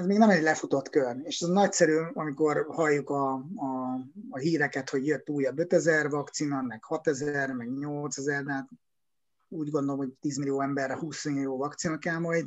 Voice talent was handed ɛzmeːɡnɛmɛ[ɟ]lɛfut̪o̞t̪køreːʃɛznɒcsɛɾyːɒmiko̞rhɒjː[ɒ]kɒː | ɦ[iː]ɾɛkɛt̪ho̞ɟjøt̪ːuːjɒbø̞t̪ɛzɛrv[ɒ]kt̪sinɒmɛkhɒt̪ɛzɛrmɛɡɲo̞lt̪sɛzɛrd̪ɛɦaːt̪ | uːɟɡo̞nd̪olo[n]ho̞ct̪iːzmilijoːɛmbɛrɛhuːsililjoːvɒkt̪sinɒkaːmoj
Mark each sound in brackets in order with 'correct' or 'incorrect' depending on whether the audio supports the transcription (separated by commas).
correct, incorrect, correct, correct, incorrect